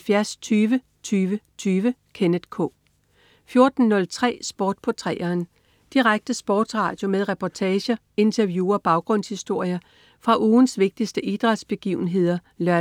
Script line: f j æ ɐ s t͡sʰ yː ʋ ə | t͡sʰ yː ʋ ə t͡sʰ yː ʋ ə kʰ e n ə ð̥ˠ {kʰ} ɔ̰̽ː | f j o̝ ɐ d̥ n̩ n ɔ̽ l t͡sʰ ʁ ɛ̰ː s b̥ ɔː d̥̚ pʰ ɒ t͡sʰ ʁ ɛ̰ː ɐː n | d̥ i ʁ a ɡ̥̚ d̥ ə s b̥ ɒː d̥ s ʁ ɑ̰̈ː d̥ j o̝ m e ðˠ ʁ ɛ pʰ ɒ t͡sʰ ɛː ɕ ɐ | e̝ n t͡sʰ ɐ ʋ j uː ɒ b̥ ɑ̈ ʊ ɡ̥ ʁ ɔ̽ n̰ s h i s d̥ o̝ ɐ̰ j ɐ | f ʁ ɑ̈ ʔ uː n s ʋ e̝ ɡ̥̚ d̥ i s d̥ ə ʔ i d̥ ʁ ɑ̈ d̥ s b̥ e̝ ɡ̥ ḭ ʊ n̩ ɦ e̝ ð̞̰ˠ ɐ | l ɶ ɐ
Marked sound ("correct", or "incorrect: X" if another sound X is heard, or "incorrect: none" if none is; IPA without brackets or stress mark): correct